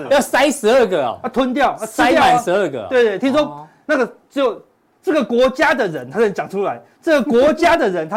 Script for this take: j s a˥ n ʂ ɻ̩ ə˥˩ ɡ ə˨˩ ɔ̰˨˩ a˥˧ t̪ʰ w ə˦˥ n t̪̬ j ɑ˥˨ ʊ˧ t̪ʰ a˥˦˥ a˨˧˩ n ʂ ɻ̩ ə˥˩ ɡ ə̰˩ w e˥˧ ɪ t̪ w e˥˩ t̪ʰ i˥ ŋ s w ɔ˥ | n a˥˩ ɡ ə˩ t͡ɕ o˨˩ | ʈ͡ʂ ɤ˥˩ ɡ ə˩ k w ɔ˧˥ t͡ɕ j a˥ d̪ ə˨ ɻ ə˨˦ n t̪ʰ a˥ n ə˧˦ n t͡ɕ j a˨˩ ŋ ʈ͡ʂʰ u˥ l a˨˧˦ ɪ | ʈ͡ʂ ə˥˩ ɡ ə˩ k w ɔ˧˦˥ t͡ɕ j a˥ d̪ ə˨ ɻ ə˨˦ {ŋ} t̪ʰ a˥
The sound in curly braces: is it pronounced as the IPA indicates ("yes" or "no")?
no